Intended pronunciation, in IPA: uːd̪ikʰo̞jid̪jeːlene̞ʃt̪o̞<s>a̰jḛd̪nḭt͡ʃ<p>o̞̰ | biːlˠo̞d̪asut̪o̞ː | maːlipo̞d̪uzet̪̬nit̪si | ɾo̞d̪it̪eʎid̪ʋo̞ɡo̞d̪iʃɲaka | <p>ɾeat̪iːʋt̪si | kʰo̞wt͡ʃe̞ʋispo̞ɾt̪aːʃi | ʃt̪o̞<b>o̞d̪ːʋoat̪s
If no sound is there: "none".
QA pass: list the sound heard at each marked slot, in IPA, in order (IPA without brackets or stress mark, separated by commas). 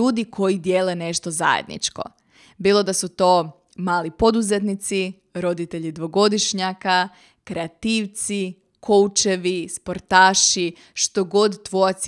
z, k, k, ɡ